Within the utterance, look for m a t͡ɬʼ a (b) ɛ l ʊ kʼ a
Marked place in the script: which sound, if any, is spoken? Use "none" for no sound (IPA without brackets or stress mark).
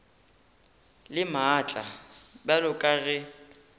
b